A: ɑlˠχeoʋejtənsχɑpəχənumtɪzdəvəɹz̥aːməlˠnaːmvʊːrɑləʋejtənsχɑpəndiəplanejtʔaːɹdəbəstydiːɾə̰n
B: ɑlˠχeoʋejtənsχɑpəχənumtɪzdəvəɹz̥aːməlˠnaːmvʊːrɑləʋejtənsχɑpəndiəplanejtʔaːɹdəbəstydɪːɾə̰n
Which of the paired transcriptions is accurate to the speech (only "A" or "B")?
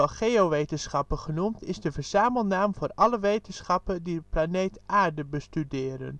B